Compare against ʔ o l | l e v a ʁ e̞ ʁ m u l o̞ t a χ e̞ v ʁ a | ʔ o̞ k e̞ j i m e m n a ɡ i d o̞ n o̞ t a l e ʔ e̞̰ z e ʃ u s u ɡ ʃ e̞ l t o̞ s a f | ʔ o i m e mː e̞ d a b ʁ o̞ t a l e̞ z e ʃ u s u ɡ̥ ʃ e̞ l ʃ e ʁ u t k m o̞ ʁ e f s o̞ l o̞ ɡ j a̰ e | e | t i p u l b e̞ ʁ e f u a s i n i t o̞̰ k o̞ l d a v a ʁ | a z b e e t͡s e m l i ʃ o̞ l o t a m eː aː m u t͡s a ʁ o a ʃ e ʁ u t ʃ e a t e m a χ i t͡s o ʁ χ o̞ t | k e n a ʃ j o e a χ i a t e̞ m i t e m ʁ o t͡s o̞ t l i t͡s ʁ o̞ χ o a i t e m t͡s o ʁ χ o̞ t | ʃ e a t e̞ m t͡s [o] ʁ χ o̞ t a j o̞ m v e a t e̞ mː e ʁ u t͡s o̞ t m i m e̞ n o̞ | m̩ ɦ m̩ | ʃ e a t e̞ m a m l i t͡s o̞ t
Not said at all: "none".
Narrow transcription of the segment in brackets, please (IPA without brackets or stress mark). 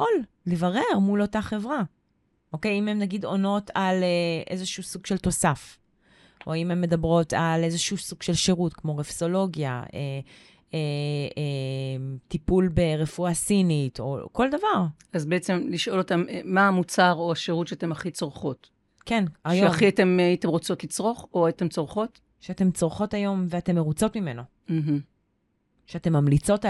o